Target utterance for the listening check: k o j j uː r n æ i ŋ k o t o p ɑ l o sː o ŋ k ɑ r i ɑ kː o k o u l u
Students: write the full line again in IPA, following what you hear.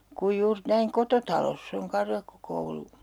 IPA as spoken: k u j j uː r n æ i ŋ k o t o t ɑ l o sː o ŋ k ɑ r j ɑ kː o k o u l u